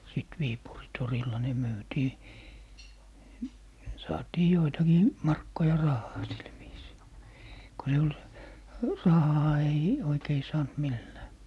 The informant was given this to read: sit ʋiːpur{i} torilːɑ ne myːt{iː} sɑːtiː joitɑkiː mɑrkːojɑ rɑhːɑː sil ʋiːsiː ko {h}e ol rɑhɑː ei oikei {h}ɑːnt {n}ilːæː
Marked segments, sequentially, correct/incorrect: correct, correct, incorrect: s, incorrect: s, incorrect: m

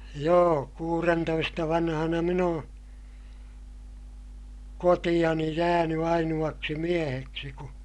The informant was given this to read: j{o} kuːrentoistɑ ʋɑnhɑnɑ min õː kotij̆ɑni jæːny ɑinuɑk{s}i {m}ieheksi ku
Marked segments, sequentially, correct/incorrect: incorrect: oː, correct, correct

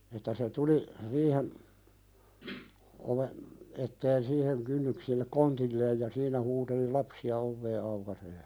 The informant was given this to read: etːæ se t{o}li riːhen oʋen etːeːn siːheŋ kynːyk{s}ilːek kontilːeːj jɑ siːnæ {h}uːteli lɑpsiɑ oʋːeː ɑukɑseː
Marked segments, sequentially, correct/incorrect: incorrect: u, correct, correct

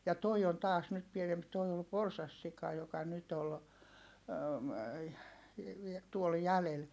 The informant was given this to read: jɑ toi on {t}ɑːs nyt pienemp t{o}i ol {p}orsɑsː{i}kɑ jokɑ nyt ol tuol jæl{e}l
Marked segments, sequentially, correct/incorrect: correct, correct, correct, correct, correct

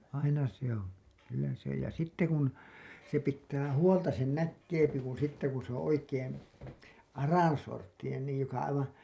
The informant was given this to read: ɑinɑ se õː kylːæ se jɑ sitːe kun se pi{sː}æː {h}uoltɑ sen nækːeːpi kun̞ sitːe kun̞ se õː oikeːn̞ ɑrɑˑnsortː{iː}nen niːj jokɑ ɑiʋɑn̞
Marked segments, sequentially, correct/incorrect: incorrect: tː, correct, incorrect: i

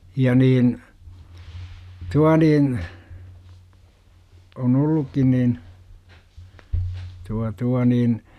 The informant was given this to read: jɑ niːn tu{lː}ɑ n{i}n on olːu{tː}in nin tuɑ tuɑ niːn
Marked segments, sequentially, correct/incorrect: incorrect: none, incorrect: iː, incorrect: kː

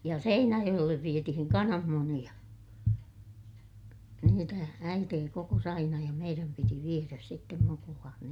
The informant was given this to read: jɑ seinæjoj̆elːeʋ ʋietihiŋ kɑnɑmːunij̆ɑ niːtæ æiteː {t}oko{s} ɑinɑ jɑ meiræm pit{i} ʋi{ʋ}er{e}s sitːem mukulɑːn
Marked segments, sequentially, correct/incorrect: incorrect: k, correct, correct, incorrect: none, incorrect: æ

